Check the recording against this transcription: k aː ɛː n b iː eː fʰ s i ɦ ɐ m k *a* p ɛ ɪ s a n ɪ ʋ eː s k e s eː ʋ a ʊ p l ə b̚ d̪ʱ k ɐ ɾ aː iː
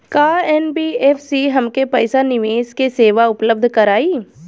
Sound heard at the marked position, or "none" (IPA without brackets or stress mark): e